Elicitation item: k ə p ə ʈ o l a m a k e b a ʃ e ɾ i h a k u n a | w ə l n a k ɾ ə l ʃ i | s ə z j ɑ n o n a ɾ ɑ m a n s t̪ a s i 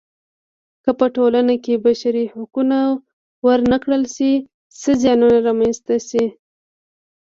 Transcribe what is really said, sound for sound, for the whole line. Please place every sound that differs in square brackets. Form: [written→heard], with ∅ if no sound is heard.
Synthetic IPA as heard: k ə p ə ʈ o l a [m→n] a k e b a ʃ [e→a] ɾ i h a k u n a | w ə [l→ɾ] n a k [ɾ→ɽ] ə l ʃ i | s ə z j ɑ n [o→u] n a ɾ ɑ m a n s t̪ a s i